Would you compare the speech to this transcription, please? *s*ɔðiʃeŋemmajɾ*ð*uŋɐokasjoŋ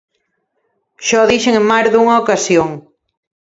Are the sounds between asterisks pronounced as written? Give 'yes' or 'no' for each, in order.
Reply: no, yes

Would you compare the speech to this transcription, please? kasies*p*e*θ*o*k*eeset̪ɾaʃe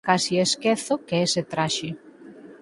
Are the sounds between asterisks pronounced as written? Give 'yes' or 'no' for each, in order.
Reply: no, yes, yes

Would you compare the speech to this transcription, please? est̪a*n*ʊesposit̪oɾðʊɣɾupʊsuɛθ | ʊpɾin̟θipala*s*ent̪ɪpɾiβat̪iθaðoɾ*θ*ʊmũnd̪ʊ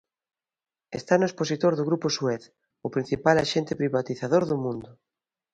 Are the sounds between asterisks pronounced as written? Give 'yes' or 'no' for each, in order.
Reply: yes, no, no

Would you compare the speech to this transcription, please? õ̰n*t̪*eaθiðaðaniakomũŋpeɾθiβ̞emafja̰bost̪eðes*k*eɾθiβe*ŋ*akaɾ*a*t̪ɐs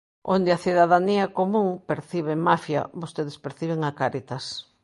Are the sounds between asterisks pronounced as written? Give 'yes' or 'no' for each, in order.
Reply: no, no, yes, no

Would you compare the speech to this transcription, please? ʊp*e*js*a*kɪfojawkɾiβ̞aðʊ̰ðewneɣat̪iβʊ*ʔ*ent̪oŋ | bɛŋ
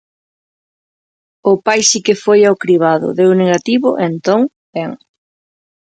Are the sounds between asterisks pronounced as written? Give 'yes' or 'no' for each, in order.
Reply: no, no, yes

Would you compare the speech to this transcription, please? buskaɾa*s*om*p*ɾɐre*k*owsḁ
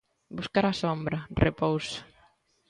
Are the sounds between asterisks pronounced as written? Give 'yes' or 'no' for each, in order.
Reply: yes, no, no

